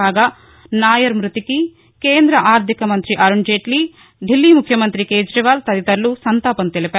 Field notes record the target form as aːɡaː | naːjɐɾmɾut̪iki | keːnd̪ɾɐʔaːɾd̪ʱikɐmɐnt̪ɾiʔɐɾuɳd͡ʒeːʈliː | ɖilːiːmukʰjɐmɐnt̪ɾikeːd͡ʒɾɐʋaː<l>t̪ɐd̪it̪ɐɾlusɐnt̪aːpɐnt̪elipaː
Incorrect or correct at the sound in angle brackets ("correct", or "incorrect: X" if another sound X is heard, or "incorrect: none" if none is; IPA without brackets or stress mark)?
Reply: correct